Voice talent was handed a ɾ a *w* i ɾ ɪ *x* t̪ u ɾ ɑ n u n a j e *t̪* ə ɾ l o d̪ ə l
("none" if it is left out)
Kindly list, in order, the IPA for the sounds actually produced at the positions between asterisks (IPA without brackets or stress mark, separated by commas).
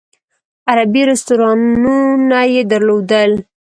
b, s, d̪